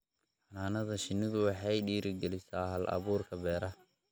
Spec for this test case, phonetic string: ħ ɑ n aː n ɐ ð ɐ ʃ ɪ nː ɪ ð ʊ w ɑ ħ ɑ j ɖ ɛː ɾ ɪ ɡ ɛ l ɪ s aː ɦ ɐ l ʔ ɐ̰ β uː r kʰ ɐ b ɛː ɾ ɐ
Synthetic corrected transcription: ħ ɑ n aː n ɐ ð ɐ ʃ ɪ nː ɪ ð ʊ w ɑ ħ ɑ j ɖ iː ɾ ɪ ɡ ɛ l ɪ s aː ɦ ɐ l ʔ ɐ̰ β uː r kʰ ɐ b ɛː ɾ ɐ